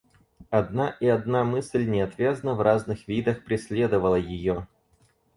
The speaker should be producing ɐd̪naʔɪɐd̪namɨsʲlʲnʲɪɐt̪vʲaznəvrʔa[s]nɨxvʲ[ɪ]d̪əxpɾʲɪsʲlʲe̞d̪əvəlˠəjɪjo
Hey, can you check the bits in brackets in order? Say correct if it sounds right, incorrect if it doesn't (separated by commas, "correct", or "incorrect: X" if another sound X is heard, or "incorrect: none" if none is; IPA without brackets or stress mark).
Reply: incorrect: z, incorrect: i